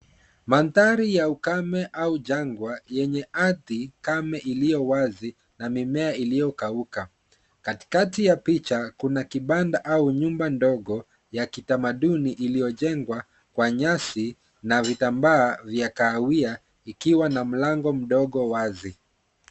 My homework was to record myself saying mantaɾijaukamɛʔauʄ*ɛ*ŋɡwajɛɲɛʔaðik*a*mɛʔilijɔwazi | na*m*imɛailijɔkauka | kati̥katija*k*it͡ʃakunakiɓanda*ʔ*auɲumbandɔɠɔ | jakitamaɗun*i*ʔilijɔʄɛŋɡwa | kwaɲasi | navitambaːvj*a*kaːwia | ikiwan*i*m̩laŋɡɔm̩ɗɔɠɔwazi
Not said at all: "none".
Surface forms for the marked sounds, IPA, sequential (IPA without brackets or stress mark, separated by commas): a, a, m, p, ʔ, i, a, a